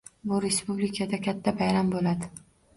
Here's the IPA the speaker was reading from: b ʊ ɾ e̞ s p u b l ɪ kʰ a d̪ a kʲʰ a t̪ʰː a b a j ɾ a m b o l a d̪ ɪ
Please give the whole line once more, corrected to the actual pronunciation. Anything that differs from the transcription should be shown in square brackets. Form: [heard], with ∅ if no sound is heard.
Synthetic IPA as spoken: b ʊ ɾ e̞ s p u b l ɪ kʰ a d̪ a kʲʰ a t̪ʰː a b a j ɾ a m b o l a d̪ ɪ